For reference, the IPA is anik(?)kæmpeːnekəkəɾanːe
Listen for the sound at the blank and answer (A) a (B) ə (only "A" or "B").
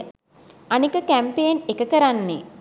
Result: B